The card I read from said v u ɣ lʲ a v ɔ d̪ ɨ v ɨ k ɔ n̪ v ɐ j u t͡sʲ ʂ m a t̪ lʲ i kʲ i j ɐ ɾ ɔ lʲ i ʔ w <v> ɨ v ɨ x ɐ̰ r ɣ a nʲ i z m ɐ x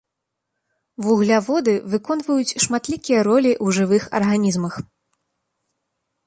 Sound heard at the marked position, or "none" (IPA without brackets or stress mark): ʐ